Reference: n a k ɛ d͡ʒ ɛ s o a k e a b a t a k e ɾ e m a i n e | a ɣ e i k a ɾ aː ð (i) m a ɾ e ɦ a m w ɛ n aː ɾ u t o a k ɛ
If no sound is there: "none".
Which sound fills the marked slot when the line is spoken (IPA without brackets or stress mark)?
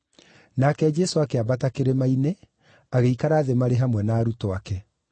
e